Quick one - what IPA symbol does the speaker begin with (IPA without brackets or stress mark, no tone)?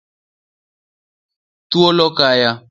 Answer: t